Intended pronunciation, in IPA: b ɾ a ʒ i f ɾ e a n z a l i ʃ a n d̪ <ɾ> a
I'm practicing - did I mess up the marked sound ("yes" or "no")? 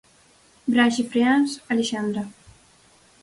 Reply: no